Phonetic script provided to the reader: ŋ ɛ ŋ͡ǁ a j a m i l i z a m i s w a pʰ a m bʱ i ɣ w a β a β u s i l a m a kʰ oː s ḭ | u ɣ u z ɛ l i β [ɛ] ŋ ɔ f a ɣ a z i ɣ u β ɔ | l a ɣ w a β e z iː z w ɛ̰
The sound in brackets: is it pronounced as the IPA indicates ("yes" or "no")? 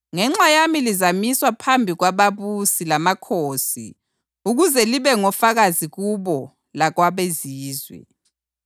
yes